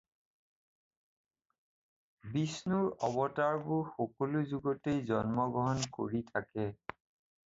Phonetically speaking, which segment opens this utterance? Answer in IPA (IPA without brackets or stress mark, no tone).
b